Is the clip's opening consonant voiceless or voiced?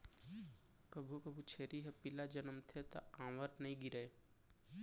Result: voiceless